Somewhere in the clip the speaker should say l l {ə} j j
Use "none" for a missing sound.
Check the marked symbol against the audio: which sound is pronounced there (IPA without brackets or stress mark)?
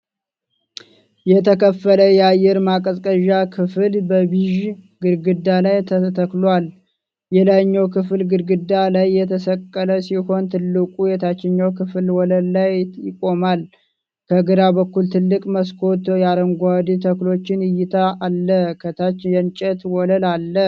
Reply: a